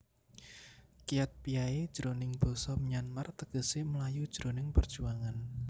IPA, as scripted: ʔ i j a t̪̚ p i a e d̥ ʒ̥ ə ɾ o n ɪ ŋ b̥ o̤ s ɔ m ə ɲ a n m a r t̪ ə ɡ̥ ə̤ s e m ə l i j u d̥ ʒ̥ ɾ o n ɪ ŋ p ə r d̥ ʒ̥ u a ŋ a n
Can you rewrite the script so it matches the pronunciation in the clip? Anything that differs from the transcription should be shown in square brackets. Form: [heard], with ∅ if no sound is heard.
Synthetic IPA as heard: [k] i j a t̪̚ p i a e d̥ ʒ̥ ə ɾ o n ɪ ŋ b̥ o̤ s ɔ m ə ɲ a n m a r t̪ ə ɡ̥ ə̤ s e m ə l [a] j u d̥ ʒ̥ ɾ o n ɪ ŋ p ə r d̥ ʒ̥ u a ŋ a n